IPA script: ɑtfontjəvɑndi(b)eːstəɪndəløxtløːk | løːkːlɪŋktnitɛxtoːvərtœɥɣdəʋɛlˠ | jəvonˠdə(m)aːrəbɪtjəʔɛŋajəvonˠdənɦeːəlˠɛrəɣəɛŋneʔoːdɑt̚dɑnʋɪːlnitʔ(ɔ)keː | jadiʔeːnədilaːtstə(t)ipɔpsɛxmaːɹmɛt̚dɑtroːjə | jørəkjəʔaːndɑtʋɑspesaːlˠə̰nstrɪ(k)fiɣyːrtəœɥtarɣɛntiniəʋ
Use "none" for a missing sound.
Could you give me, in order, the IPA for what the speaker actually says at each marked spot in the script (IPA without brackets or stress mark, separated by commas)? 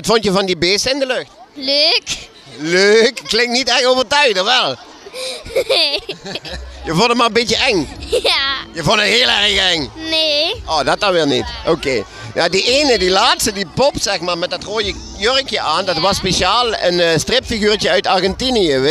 b, m, o, d, p